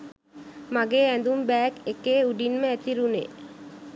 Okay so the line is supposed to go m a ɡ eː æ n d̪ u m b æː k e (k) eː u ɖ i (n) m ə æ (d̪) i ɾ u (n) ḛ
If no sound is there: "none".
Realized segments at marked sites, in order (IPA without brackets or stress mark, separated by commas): k, n, t̪, n